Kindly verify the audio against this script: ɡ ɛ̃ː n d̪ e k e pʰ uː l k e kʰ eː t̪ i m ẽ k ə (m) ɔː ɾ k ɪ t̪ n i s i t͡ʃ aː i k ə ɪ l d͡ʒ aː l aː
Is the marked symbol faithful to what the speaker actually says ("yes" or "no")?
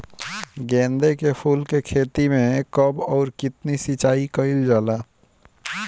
no